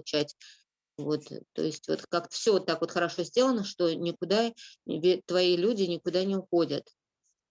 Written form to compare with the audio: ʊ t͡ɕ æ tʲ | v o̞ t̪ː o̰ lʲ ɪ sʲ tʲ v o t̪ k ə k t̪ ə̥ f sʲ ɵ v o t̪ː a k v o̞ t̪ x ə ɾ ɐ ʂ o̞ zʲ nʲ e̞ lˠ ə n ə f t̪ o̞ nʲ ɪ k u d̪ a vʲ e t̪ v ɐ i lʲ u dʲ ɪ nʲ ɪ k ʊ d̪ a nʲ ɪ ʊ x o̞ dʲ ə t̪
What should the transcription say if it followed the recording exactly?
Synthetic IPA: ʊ t͡ɕ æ tʲ | v o̞ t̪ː o̰ ɪ sʲ tʲ v o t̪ k a k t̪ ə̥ f sʲ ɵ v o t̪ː a k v o̞ t̪ x ə ɾ ɐ ʂ o̞ zʲ dʲ e̞ lˠ ə n ə ʂ t̪ o̞ nʲ ɪ k ʊ d̪ a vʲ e t̪ v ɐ i lʲ u dʲ ɪ nʲ ɪ k ʊ d̪ a nʲ ɪ ʊ x o̞ dʲ ə t̪